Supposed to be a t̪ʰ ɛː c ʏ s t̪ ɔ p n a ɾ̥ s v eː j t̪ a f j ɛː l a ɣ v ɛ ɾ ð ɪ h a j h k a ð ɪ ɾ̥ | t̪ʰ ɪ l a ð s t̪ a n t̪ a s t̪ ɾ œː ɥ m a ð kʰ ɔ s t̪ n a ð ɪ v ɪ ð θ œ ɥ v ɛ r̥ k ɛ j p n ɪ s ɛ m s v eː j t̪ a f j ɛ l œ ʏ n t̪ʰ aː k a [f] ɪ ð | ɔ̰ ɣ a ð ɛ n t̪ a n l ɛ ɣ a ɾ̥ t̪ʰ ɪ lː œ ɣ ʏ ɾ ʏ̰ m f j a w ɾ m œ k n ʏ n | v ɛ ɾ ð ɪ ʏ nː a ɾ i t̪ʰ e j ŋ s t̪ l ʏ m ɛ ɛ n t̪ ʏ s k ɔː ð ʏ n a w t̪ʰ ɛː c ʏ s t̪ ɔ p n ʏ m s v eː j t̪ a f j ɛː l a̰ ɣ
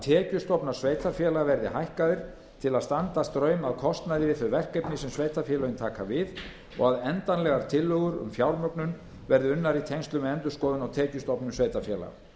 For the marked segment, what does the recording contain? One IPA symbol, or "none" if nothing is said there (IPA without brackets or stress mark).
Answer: v